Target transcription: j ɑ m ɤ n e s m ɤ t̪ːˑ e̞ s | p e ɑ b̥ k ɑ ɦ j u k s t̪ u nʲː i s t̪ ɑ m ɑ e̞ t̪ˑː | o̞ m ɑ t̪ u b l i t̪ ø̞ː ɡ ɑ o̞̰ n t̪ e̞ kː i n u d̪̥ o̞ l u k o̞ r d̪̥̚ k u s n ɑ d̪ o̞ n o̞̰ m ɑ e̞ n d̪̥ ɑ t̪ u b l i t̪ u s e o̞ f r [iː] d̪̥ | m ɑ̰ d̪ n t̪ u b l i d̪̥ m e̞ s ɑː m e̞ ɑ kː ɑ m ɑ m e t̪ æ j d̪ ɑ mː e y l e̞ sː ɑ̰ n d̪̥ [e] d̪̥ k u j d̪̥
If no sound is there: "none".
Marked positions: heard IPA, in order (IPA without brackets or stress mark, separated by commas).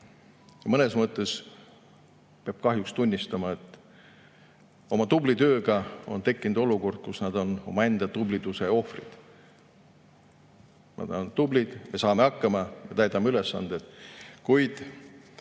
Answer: i, e